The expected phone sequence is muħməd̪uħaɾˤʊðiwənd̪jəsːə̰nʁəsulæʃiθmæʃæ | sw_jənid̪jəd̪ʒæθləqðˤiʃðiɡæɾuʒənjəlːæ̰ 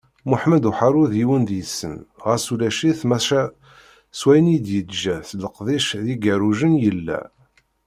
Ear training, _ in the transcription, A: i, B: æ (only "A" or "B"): B